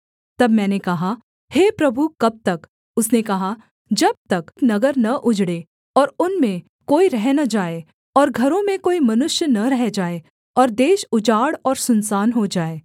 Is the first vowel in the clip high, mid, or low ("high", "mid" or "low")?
low